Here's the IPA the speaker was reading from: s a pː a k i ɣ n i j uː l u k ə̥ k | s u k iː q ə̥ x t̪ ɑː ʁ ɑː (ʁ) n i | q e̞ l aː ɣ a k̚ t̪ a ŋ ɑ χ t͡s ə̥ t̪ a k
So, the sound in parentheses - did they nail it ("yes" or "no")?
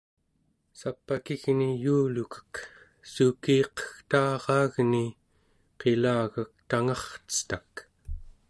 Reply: no